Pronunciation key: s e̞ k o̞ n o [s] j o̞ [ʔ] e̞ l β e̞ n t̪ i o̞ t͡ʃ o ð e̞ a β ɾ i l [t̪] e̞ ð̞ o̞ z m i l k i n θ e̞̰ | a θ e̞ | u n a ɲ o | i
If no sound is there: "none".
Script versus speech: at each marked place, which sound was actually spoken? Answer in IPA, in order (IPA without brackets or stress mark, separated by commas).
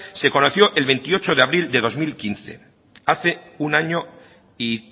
θ, ʔ, d̪